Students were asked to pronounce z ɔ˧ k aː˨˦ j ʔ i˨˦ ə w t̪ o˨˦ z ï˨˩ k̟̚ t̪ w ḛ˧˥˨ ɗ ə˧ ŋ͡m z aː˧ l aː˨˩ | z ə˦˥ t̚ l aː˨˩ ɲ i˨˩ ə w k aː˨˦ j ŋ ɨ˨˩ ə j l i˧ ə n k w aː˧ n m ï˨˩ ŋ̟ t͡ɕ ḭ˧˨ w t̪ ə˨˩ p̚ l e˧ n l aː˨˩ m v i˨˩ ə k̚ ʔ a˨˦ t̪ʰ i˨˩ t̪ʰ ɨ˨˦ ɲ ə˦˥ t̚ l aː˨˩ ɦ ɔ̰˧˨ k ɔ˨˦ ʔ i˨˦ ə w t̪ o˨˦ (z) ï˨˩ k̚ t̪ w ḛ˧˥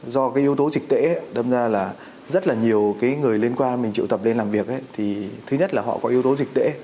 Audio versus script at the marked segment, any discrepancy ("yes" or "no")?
no